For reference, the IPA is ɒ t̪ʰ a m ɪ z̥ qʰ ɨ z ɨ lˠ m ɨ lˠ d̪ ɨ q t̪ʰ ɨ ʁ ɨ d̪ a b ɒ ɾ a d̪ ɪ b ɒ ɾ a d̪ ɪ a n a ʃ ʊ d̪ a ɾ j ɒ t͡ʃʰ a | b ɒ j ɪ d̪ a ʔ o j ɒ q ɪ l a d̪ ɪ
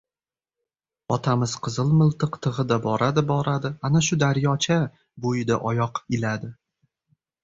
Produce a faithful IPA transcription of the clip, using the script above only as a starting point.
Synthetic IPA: ɒ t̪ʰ a m ɪ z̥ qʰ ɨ z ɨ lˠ m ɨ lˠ t̪ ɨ q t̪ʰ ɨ ʁ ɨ d̪ a b ɒ ɾ a d̪ ɪ b ɒ ɾ a d̪ ɪ a n a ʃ ʊ d̪ a ɾ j ɒ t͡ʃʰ a | b o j ɪ d̪ a ʔ ɒ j ɒ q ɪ l a d̪ ɪ